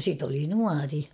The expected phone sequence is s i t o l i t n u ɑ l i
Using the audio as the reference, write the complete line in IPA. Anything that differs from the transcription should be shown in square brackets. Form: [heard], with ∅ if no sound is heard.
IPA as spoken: s i t o l i [∅] n u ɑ [r] i